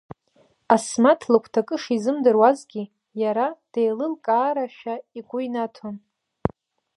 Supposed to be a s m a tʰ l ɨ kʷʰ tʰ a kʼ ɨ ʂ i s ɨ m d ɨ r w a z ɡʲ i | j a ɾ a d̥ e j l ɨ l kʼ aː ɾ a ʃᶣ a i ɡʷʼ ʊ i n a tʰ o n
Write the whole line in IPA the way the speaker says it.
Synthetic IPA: a s m a tʰ l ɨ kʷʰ tʰ a kʼ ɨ ʂ i z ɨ m d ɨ r w a z ɡʲ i | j a ɾ a d̥ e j l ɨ l kʼ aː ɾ a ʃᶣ a i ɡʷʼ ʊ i n a tʰ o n